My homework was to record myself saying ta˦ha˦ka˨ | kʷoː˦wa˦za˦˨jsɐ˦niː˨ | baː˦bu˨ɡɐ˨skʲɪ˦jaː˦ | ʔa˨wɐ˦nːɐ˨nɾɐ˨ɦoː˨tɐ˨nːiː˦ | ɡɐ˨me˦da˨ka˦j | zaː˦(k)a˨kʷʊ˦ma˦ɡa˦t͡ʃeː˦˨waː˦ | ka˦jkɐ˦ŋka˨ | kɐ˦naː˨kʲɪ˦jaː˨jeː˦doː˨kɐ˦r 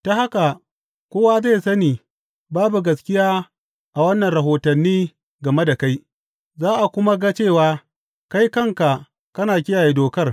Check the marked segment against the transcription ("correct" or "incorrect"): incorrect